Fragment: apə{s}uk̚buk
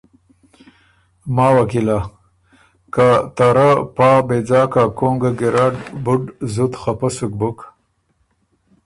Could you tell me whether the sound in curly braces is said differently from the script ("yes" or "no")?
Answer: no